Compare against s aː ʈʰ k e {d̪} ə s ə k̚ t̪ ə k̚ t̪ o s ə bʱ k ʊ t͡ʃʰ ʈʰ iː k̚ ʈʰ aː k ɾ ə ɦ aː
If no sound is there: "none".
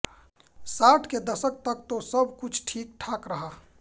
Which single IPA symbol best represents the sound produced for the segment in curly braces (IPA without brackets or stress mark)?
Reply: d̪